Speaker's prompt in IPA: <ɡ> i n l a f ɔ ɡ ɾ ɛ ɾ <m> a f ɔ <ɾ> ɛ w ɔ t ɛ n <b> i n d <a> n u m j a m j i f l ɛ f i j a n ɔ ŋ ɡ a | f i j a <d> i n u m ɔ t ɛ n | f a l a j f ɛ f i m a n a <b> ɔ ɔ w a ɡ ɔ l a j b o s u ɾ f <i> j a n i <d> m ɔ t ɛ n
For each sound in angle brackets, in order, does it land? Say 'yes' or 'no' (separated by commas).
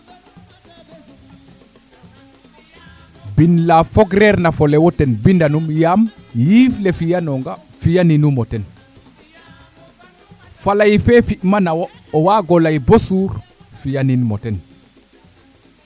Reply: no, no, no, yes, yes, no, no, yes, no